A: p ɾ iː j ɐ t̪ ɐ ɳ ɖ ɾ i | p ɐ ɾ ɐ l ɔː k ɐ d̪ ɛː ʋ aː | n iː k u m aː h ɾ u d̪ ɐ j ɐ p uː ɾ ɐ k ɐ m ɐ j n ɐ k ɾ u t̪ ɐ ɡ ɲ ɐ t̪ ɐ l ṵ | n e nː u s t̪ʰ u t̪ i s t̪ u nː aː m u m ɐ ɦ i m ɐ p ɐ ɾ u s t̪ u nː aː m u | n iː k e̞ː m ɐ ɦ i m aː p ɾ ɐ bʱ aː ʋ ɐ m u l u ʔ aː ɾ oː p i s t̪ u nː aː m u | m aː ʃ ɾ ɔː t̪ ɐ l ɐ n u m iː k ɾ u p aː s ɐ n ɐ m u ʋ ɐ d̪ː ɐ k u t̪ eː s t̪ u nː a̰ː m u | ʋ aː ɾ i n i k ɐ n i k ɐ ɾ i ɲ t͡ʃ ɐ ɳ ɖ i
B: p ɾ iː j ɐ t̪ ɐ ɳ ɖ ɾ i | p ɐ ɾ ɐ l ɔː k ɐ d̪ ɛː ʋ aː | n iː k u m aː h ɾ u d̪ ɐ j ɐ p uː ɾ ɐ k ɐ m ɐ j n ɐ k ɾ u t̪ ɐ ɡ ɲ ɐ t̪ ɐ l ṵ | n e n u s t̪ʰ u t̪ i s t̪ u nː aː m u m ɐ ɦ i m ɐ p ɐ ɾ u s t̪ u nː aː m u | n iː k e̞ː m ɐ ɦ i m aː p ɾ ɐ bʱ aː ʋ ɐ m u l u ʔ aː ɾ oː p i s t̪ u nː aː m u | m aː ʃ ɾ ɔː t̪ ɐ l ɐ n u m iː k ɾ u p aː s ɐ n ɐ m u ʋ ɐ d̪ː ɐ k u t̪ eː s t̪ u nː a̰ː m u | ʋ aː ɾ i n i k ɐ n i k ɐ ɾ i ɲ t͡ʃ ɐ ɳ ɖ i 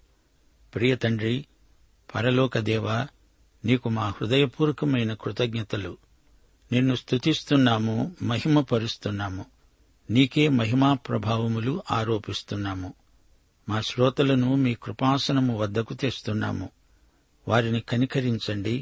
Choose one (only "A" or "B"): A